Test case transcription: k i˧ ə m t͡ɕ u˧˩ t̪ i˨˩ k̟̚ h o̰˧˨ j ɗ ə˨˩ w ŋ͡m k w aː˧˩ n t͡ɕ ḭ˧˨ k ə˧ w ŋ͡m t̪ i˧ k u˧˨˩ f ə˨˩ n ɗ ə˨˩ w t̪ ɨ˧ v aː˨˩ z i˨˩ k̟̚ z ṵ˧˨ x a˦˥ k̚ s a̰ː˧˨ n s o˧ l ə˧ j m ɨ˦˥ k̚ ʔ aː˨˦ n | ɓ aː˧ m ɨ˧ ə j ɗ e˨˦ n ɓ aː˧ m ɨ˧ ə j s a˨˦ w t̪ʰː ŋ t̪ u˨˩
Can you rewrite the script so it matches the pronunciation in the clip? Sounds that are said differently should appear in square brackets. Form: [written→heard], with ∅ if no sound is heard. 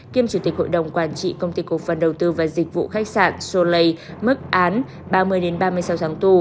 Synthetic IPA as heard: k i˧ ə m t͡ɕ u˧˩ t̪ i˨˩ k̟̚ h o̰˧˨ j ɗ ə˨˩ w ŋ͡m k w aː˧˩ n t͡ɕ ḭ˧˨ k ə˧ w ŋ͡m t̪ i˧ k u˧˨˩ f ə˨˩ n ɗ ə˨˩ w t̪ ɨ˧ v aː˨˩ z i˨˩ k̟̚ [z→v] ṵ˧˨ x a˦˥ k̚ s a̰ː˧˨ n s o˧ l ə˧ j m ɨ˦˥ k̚ ʔ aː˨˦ n | ɓ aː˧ m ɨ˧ ə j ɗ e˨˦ n ɓ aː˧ m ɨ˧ ə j s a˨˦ w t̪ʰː ŋ t̪ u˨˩